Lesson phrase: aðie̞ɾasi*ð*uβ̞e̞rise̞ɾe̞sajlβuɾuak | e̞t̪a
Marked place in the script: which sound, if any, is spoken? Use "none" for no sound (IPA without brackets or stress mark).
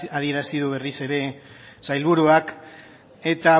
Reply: ð